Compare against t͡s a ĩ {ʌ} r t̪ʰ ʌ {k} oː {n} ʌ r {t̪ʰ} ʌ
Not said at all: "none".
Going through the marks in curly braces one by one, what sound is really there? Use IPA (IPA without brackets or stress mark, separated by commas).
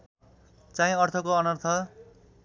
ʌ, k, n, t̪ʰ